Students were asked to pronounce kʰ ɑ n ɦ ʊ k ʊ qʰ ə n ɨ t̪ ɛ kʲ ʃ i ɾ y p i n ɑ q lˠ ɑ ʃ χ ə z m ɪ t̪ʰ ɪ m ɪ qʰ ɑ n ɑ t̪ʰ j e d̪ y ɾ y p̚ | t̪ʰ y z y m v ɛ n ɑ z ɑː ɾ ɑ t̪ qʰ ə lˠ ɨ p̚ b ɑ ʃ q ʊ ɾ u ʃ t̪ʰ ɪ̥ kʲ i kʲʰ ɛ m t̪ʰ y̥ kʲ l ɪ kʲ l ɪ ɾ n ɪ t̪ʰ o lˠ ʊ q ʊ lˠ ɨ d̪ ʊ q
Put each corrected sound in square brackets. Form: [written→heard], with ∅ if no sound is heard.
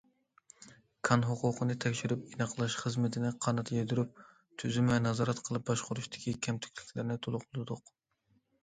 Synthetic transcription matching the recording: kʰ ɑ n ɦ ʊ [k→q] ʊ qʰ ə n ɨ [t̪→t̪ʰ] ɛ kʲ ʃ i ɾ y p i n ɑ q lˠ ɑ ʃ χ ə z m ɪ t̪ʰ ɪ [m→n] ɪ qʰ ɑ n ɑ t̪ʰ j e d̪ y ɾ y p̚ | t̪ʰ y z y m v ɛ n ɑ z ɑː ɾ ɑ t̪ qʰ ə lˠ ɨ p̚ b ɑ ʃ q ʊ ɾ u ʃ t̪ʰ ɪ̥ kʲ i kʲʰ ɛ m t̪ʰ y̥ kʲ l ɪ kʲ l ɪ ɾ n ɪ t̪ʰ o lˠ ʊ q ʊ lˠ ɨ d̪ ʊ q